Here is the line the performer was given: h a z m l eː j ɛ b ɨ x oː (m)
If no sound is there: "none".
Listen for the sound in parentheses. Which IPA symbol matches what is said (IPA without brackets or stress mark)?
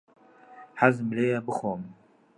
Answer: m